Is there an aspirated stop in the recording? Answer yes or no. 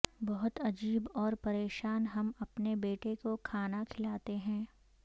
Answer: yes